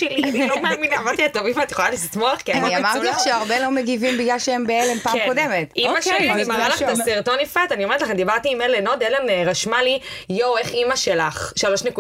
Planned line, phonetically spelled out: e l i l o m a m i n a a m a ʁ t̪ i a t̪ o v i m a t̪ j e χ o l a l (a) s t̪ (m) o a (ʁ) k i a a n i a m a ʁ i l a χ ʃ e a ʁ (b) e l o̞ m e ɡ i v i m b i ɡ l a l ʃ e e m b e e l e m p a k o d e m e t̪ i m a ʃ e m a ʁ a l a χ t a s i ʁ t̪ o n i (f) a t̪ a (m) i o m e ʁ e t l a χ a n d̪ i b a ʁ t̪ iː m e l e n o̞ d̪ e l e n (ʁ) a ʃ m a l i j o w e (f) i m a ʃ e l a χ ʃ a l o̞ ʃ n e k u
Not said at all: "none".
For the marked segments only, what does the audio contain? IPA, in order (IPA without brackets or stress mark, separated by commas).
i, m, χ, b, f, n, ʁ, χ